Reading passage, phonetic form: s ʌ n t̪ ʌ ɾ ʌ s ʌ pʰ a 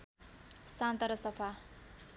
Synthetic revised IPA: s a n t̪ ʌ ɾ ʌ s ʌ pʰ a